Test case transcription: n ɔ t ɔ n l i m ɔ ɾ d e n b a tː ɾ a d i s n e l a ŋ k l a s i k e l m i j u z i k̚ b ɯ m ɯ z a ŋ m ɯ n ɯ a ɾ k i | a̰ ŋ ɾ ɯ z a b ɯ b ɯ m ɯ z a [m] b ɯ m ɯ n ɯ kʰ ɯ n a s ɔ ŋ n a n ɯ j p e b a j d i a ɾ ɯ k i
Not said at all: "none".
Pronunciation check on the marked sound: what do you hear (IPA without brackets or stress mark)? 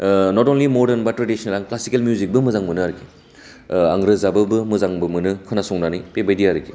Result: ŋ